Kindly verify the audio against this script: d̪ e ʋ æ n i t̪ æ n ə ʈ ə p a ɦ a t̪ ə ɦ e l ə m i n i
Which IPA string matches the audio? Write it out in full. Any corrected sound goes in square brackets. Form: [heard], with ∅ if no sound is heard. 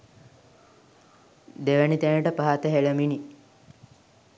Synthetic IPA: d̪ e ʋ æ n i t̪ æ n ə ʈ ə p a ɦ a t̪ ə ɦ e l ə m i n i